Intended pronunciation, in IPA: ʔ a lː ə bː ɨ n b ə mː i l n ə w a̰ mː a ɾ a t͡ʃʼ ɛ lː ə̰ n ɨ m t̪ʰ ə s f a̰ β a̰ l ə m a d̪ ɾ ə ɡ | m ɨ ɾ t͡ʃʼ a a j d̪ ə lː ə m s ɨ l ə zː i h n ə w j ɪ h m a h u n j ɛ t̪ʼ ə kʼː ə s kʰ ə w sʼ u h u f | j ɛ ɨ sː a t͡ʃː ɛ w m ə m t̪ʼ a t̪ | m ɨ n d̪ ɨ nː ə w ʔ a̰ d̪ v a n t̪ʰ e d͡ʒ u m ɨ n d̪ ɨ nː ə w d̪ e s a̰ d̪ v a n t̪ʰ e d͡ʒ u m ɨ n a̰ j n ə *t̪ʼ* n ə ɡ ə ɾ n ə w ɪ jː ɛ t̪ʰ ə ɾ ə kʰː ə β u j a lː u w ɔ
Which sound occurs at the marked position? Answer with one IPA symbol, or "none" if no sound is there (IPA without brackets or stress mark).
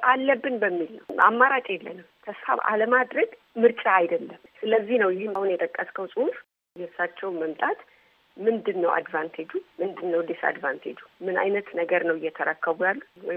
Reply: t̪